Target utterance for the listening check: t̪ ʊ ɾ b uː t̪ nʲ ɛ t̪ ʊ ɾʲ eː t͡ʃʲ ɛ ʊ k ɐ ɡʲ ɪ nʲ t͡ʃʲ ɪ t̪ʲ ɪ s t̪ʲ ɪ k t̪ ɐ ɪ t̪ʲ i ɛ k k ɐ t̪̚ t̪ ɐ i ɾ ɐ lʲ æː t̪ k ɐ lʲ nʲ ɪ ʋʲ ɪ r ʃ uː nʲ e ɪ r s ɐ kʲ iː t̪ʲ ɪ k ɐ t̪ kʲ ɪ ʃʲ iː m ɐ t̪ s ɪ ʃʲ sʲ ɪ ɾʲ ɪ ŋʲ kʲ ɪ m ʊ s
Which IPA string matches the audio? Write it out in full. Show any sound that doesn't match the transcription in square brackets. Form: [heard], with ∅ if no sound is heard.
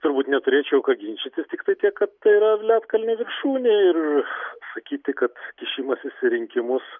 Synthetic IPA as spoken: t̪ ʊ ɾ b uː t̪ nʲ ɛ t̪ ʊ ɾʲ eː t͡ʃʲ ɛ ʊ k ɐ ɡʲ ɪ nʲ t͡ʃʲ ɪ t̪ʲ ɪ s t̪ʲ ɪ k t̪ ɐ ɪ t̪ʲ i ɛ k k ɐ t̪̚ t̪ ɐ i ɾ ɐ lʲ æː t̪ k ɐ lʲ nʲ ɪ ʋʲ ɪ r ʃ uː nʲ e ɪ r s ɐ kʲ iː t̪ʲ ɪ k ɐ t̪ kʲ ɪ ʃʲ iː m ɐ [∅] s ɪ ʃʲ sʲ ɪ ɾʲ ɪ ŋʲ kʲ ɪ m ʊ s